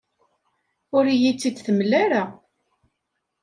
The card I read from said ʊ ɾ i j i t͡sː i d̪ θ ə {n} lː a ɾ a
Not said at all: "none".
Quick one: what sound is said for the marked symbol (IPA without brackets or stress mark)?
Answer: m